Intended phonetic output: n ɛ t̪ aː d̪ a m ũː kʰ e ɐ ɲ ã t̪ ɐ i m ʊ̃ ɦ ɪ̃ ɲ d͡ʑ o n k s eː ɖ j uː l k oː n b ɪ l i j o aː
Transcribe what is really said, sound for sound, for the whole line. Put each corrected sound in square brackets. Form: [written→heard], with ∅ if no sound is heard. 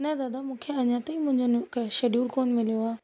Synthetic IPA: n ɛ [t̪→d̪] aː d̪ a m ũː kʰ e ɐ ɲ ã t̪ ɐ i m ʊ̃ ɦ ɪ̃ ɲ d͡ʑ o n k [s→ʃ] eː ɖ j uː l k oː n [b→m] ɪ l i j o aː